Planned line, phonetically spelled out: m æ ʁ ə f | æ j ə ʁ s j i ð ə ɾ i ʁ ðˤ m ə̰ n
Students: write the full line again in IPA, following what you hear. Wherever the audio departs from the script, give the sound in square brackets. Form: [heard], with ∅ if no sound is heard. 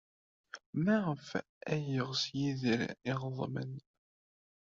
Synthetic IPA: m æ ʁ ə f | æ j ə ʁ s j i ð ə ɾ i ʁ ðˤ m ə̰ n